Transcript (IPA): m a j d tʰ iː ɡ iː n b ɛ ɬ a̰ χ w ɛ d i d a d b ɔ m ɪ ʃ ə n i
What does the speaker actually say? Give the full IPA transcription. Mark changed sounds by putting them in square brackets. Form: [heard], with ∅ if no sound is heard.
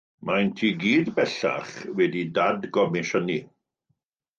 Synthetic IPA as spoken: m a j [n] tʰ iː ɡ iː [d] b ɛ ɬ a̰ χ w ɛ d i d a d [ɡ] ɔ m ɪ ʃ ə n i